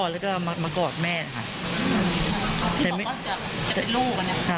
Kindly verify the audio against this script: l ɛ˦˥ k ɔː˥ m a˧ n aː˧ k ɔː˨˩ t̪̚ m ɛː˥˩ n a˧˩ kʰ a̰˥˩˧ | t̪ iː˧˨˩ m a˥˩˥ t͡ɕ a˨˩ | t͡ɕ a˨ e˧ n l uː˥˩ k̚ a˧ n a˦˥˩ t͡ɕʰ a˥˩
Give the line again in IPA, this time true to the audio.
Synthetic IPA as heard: l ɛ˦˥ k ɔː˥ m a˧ m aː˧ k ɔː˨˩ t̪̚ m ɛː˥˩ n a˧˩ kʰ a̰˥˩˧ | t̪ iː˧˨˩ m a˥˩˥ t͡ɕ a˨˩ | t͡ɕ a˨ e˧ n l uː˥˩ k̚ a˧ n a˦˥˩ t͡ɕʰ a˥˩